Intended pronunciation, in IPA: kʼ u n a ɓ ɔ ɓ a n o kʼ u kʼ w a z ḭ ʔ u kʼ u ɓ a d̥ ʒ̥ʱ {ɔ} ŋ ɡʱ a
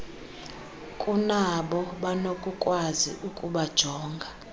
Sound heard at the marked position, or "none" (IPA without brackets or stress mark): ɔː